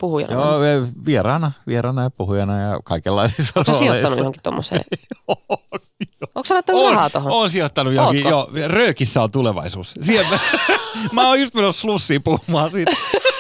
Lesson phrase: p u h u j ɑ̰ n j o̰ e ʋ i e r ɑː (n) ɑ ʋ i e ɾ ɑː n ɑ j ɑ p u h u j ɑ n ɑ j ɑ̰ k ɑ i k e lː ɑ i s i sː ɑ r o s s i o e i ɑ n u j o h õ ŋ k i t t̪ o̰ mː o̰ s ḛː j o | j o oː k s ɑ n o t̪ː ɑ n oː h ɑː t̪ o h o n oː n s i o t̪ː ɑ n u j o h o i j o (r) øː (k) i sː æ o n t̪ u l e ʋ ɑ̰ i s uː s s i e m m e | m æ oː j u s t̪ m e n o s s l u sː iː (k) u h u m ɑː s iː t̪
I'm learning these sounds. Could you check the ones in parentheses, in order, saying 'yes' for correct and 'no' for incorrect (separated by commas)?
yes, yes, yes, no